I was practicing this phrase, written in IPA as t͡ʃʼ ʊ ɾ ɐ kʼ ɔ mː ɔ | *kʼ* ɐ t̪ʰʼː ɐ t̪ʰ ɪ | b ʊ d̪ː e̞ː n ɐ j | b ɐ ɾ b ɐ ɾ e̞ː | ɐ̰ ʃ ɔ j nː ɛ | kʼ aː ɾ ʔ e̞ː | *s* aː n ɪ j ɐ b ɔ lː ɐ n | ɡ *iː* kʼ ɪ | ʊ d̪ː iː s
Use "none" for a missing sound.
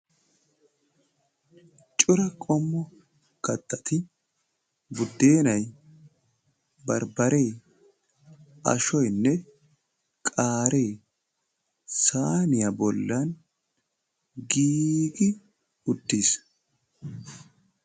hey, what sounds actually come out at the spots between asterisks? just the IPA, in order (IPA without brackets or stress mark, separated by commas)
k, s, iː